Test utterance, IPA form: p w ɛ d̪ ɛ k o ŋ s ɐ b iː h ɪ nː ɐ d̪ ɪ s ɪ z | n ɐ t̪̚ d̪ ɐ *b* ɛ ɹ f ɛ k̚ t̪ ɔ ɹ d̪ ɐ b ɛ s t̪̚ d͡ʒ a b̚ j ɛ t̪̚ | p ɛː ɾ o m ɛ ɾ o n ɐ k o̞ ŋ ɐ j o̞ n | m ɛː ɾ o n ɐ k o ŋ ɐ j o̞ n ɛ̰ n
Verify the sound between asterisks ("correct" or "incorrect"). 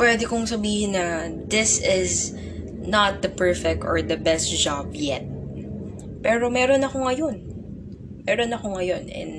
incorrect